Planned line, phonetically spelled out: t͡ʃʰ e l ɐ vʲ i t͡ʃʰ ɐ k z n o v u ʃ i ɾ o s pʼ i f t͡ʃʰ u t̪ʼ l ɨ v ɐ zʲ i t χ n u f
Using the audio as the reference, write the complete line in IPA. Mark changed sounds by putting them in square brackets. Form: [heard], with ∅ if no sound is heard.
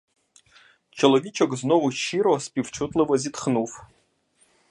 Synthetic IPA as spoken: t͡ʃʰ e l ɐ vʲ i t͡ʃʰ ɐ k z n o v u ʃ i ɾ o s pʼ i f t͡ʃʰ u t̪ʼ l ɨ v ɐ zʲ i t χ n u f

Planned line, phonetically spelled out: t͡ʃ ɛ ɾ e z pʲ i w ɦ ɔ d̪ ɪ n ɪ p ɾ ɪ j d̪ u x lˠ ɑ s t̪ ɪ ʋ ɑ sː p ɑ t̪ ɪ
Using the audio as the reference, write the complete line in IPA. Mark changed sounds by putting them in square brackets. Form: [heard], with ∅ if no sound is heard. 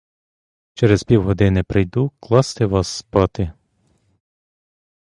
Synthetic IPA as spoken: t͡ʃ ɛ ɾ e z pʲ i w ɦ ɔ d̪ ɪ n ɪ p ɾ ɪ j d̪ u [k] lˠ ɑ s t̪ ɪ ʋ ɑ sː p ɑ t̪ ɪ

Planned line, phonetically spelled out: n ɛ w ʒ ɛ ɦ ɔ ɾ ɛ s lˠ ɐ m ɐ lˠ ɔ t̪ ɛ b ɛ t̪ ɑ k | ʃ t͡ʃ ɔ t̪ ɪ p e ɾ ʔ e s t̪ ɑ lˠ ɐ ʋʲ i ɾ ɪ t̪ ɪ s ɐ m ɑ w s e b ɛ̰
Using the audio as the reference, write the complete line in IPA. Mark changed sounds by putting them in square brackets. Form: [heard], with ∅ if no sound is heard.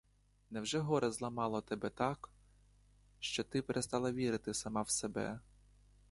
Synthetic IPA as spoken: n ɛ w ʒ ɛ ɦ ɔ ɾ ɛ [z] lˠ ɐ m [ɑ] lˠ ɔ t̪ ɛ b ɛ t̪ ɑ k | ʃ t͡ʃ ɔ t̪ ɪ p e ɾ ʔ e s t̪ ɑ lˠ ɐ ʋʲ i ɾ ɪ t̪ ɪ s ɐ m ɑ w s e b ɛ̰

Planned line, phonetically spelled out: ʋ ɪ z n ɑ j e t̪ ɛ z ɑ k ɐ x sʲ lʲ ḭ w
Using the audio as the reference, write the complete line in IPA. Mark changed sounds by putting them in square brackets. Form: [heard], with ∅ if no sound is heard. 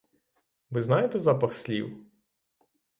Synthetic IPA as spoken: ʋ ɪ z n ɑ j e t̪ ɛ z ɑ [p] ɐ x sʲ lʲ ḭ w

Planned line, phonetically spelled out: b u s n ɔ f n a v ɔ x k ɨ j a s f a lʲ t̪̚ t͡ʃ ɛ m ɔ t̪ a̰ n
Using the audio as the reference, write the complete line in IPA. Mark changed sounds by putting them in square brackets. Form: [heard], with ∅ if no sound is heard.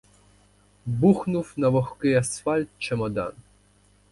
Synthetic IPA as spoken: b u [x] n [u] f n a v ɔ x k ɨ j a s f a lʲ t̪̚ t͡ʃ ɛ m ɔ [d̪] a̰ n

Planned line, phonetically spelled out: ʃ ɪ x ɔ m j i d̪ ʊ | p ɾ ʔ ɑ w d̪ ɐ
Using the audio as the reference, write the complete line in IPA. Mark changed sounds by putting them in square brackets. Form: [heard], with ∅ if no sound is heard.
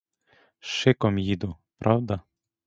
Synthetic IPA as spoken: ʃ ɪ [k] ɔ m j i d̪ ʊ | p ɾ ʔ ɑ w d̪ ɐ

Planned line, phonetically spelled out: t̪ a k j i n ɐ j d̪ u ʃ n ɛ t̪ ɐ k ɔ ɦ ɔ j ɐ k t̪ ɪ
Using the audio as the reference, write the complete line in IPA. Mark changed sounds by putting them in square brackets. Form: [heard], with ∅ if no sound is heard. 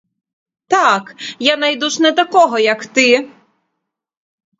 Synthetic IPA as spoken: t̪ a k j [a] n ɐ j d̪ u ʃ n ɛ t̪ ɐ k ɔ ɦ ɔ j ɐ k t̪ ɪ

